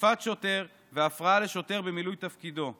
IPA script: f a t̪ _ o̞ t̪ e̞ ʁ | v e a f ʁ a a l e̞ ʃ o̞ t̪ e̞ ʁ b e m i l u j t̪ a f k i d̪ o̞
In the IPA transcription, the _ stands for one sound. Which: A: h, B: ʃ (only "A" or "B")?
B